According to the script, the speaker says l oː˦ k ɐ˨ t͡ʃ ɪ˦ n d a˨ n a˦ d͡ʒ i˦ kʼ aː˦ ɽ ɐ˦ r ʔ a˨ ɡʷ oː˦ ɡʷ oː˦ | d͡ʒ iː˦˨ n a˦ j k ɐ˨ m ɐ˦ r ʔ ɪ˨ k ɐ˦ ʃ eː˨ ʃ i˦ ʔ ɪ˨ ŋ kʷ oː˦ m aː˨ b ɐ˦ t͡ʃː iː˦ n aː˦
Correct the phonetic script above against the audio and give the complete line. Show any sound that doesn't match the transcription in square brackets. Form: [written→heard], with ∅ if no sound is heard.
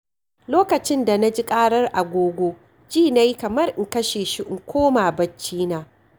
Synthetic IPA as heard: l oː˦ k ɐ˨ t͡ʃ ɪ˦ n d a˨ n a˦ d͡ʒ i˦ kʼ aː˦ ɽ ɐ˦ r ʔ a˨ ɡʷ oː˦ ɡʷ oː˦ | d͡ʒ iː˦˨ n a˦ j k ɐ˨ m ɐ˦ r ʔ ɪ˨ k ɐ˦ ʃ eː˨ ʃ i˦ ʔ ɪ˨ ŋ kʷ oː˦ m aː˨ b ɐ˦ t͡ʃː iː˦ n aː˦